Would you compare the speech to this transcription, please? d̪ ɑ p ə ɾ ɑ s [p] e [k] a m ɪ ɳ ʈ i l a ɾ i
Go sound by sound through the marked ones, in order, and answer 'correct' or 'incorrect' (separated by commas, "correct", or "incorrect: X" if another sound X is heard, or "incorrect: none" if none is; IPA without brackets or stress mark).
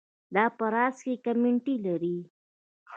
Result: incorrect: k, correct